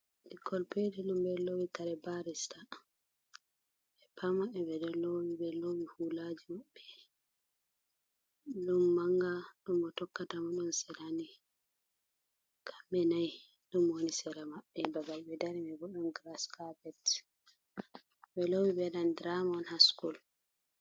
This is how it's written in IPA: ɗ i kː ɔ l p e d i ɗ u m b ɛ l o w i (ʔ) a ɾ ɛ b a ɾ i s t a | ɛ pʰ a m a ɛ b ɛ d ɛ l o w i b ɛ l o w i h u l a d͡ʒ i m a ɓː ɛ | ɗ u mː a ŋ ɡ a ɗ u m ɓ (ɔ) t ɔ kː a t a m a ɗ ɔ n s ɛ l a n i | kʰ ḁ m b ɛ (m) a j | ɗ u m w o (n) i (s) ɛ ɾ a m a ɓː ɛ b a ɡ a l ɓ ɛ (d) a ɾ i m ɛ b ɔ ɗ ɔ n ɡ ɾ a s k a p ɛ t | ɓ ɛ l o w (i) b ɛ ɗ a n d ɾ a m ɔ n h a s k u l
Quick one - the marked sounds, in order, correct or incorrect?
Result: incorrect, correct, incorrect, correct, correct, correct, correct

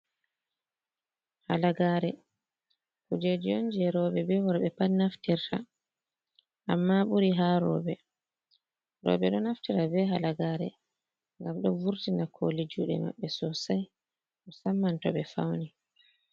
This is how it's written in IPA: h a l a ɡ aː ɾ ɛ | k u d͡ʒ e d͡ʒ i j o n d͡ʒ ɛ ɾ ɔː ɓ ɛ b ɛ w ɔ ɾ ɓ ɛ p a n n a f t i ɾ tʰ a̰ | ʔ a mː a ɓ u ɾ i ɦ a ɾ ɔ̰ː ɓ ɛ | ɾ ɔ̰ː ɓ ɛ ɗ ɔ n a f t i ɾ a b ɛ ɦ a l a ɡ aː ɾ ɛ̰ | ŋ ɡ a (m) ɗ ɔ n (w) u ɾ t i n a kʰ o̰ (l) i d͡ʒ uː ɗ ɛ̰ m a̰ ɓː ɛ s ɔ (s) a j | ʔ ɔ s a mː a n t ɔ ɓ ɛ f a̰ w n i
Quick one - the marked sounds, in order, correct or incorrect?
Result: correct, incorrect, correct, correct

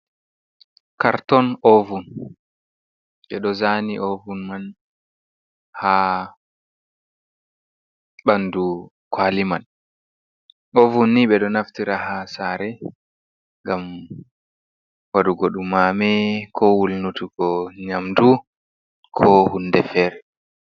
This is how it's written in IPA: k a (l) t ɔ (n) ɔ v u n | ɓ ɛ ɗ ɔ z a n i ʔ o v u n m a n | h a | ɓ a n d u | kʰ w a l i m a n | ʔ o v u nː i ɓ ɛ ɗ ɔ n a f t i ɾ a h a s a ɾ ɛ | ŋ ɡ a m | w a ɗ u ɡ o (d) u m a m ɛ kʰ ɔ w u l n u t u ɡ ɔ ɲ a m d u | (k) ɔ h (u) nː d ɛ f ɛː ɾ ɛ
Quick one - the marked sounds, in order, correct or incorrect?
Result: incorrect, correct, incorrect, incorrect, correct

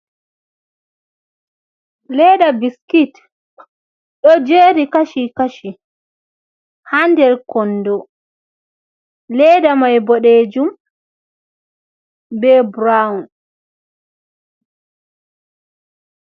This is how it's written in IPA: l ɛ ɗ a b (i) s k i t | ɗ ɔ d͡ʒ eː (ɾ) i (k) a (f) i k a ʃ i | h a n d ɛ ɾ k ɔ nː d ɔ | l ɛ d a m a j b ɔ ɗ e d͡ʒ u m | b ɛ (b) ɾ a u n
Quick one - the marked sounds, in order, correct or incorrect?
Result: correct, correct, correct, incorrect, correct

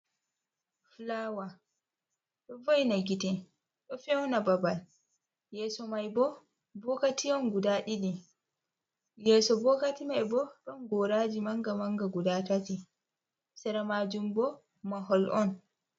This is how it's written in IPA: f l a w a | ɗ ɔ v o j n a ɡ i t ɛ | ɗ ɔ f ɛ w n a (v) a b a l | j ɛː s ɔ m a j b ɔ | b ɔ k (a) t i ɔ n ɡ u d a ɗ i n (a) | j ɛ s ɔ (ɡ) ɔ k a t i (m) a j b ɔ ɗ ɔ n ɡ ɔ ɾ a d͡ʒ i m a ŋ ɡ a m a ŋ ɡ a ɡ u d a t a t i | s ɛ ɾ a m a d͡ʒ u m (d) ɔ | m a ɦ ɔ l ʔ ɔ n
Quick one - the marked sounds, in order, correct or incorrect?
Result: incorrect, correct, incorrect, incorrect, correct, incorrect

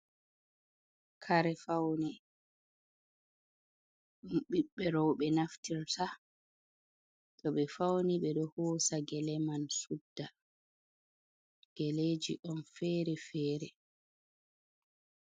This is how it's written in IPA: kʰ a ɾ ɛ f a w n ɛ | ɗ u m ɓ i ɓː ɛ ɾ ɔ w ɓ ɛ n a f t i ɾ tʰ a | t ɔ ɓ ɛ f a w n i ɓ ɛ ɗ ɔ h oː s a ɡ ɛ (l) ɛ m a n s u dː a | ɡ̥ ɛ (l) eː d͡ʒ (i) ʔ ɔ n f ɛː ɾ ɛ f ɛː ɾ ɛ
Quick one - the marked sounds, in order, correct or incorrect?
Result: correct, correct, correct

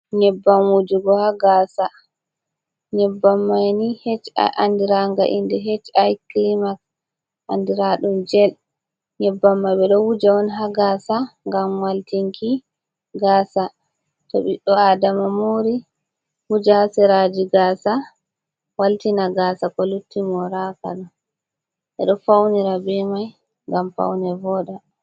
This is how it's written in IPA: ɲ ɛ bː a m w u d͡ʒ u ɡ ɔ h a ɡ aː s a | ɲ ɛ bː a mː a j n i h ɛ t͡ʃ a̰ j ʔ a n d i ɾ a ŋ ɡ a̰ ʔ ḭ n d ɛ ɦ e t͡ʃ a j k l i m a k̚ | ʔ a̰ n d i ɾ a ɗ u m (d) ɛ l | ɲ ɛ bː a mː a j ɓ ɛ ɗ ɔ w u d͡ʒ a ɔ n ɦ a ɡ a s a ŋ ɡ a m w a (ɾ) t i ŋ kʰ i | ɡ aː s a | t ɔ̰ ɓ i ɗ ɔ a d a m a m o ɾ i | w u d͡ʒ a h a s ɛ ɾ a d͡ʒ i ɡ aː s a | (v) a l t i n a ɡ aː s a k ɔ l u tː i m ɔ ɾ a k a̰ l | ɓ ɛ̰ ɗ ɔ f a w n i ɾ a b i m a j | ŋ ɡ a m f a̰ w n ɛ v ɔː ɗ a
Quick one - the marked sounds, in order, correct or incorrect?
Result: incorrect, incorrect, incorrect

